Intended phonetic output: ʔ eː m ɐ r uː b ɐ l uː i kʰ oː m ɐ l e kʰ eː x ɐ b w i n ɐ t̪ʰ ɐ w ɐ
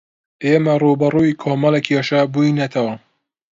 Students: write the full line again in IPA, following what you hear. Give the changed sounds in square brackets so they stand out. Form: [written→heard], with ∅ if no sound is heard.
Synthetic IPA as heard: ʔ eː m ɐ r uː b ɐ [l→r] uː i kʰ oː m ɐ l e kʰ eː [x→ʃ] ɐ b [w→u] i n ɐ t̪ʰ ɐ w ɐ